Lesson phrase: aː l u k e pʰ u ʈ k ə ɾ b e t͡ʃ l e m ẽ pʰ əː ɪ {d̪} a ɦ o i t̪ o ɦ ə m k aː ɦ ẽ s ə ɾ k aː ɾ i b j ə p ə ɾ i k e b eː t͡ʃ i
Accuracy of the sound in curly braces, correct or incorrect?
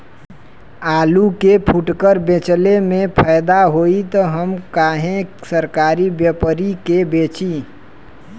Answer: correct